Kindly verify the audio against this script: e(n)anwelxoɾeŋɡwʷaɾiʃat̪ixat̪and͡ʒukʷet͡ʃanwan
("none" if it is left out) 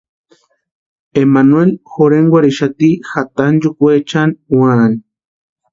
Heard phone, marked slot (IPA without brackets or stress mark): m